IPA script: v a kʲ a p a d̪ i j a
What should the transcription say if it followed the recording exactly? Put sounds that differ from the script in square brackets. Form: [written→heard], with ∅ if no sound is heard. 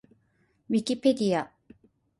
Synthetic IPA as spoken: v [a→i] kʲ [a→i] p [a→e] d̪ i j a